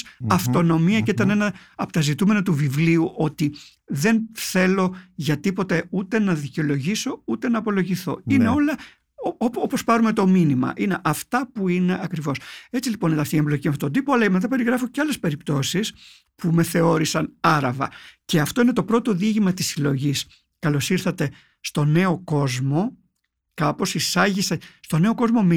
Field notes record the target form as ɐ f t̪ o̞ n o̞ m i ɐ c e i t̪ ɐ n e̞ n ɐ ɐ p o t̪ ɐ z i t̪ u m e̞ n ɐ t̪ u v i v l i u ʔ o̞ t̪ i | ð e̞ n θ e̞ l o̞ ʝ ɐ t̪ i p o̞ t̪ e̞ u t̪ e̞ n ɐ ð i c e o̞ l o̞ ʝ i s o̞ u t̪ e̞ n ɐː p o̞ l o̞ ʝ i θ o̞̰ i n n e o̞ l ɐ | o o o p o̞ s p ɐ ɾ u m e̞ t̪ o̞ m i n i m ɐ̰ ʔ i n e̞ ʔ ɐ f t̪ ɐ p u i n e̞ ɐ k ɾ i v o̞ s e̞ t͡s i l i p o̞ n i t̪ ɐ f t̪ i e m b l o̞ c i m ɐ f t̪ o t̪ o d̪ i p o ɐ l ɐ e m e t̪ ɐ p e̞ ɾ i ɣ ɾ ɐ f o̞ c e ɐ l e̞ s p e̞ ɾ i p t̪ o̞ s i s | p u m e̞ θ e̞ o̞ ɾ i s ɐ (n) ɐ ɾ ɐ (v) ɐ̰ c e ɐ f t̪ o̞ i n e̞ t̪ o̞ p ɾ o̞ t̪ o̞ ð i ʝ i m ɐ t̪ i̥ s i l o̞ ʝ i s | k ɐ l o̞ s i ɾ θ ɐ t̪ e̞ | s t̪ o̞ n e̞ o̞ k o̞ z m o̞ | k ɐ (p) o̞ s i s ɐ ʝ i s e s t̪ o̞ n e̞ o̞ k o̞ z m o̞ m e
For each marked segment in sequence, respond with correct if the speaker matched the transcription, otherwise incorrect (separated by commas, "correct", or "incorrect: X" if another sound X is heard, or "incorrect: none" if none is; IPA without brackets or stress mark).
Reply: correct, correct, correct